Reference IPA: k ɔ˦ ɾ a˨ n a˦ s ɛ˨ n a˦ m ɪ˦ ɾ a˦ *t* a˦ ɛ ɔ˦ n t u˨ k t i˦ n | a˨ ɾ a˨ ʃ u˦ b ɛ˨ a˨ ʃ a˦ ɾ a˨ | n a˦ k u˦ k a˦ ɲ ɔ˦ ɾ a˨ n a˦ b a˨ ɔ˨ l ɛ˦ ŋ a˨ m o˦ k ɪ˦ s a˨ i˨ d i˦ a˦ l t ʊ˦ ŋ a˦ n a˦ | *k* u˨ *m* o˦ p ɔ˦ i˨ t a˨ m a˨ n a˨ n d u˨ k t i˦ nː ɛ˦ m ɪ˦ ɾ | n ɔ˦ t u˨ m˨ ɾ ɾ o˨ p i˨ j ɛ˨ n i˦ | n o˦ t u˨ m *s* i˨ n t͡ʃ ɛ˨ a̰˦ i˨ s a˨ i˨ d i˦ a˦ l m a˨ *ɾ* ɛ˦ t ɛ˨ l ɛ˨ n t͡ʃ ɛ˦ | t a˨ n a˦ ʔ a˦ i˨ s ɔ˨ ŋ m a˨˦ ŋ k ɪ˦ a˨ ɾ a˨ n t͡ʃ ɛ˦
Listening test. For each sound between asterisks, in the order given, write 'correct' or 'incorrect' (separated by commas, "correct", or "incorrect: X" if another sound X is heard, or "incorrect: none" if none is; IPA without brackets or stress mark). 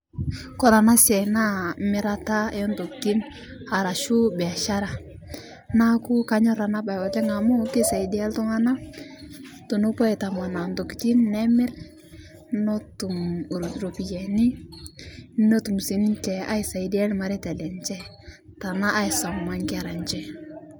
correct, incorrect: t, incorrect: n, correct, correct